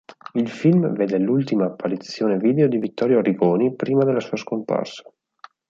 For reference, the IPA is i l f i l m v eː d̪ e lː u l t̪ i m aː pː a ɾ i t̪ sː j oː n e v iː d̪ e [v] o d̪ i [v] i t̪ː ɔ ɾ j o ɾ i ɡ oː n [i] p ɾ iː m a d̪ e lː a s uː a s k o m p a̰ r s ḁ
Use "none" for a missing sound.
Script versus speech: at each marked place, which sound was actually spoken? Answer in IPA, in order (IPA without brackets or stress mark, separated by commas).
none, v, i